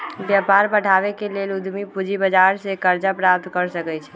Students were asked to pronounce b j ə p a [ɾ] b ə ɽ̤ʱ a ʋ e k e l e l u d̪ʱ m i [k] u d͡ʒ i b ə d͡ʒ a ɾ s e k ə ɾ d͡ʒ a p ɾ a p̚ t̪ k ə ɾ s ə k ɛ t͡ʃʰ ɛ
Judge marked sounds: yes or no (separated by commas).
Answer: yes, no